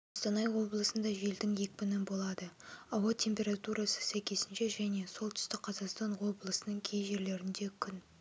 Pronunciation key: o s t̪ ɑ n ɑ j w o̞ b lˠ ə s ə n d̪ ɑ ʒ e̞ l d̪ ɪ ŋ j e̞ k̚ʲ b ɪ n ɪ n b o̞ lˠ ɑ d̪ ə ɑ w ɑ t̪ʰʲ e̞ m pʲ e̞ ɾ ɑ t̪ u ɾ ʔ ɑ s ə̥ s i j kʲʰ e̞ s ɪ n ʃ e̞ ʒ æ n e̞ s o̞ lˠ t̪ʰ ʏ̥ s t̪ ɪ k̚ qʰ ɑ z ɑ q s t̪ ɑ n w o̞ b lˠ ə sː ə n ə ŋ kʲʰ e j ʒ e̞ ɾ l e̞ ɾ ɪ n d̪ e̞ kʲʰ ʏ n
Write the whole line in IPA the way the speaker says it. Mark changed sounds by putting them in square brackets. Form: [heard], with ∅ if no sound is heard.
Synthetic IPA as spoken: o s t̪ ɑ n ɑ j w o̞ b lˠ ə s ə n d̪ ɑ ʒ e̞ l d̪ ɪ ŋ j e̞ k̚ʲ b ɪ n ɪ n b o̞ lˠ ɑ d̪ ə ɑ w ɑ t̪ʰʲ e̞ m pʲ e̞ ɾ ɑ t̪ u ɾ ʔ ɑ s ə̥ s [æ] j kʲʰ e̞ s ɪ n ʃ e̞ ʒ æ n e̞ s o̞ lˠ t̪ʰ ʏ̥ s t̪ ɪ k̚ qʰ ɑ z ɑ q s t̪ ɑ n w o̞ b lˠ ə [s] ə n ə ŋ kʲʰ e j ʒ e̞ ɾ l e̞ ɾ ɪ n d̪ e̞ kʲʰ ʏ n